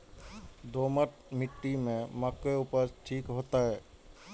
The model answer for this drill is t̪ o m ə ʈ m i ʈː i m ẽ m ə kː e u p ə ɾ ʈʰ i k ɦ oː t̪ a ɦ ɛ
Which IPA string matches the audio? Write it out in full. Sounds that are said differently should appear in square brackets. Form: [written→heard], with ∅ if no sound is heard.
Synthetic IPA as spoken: [t̪→d̪] o m ə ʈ m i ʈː i m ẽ m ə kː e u p ə ɾ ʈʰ i k ɦ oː t̪ a ɦ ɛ